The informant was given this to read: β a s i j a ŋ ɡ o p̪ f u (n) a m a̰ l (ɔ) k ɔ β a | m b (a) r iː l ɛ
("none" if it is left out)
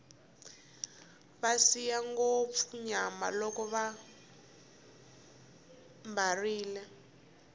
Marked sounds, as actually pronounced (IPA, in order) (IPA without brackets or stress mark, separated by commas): ɲ, ɔ, a